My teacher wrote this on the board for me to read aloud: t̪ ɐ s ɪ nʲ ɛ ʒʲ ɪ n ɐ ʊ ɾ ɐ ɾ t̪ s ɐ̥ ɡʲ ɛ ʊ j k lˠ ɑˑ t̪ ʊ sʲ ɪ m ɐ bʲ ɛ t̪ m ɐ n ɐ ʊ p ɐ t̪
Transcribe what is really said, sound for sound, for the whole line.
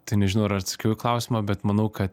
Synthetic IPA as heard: t̪ ɐ ɪ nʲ ɛ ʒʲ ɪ n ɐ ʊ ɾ ɐ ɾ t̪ s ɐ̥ kʲ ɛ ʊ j k lˠ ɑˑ ʊ sʲ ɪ m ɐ bʲ ɛ t̪ m ɐ n ɐ ʊ k ɐ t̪